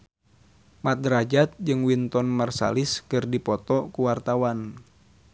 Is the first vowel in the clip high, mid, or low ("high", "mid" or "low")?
low